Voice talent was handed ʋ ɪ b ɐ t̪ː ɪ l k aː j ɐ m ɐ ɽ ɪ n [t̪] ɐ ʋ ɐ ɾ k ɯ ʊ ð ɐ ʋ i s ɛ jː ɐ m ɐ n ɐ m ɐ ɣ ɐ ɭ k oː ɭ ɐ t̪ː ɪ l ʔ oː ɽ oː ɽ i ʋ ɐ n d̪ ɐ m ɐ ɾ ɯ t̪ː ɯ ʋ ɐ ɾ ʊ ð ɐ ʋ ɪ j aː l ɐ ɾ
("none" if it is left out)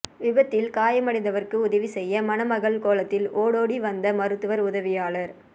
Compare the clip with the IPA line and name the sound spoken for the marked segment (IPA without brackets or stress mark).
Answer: d̪